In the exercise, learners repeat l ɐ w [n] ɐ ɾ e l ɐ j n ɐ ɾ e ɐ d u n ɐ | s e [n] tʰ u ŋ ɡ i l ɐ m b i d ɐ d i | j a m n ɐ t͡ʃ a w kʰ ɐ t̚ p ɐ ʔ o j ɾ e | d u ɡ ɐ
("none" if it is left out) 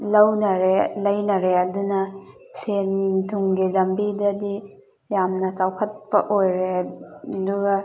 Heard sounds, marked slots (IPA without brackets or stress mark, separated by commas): n, n